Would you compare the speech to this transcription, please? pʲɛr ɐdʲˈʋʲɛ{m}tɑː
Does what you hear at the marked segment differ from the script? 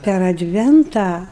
yes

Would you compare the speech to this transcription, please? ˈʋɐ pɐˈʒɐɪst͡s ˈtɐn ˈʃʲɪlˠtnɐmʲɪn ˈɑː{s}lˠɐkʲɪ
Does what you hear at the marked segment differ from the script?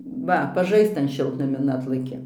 yes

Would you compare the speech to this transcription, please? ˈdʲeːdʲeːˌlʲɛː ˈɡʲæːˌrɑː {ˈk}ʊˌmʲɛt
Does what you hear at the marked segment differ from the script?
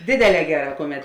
no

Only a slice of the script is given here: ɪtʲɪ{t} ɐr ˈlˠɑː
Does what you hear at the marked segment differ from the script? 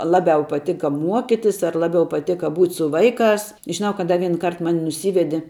yes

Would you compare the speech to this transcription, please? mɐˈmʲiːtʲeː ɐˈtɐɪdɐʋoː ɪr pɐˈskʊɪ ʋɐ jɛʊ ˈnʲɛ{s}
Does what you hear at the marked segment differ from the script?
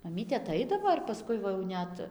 yes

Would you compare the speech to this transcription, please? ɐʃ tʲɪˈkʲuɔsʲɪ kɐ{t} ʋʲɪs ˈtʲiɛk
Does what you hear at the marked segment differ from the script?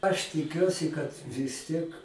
no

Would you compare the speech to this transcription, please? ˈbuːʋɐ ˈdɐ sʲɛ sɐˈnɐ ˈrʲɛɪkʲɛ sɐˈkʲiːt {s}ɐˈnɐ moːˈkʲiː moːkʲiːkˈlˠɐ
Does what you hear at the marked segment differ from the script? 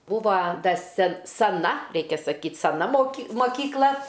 no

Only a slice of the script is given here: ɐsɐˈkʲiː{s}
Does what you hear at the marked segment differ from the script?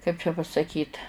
yes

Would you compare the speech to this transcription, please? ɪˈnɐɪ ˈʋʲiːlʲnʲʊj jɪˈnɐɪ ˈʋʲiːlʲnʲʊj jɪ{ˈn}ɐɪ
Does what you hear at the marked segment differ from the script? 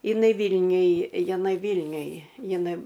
no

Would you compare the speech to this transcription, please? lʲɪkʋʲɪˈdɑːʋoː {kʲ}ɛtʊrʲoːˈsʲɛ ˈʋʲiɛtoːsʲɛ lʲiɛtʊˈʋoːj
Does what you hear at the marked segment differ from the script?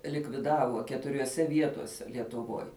no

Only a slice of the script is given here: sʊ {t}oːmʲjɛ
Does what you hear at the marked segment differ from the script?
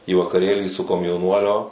yes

